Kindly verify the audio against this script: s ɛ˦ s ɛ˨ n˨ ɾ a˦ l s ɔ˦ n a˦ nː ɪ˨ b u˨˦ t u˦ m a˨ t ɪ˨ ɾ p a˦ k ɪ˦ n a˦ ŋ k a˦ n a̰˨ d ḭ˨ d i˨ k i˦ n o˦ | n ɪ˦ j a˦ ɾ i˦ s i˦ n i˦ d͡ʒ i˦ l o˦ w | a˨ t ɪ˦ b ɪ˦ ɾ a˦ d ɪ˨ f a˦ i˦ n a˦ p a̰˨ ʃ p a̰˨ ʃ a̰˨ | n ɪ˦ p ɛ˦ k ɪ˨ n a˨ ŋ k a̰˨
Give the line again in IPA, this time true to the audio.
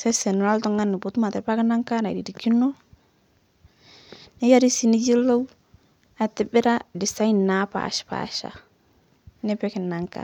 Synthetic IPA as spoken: s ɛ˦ s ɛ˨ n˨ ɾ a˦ l t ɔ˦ ŋ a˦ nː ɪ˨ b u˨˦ t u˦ m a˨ t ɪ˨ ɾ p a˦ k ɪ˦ n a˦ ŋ k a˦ n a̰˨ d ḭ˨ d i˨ k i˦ n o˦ | n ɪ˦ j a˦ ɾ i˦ s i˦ n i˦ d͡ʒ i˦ l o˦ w | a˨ t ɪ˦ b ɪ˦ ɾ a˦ d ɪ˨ s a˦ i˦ n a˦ p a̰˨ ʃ p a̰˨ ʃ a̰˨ | n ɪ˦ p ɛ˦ k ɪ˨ n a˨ ŋ k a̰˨